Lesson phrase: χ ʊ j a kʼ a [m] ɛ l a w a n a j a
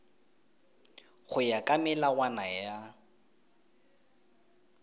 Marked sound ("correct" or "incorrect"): correct